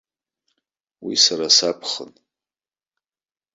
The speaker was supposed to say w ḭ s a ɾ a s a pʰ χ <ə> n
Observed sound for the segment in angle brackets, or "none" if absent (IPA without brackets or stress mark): ə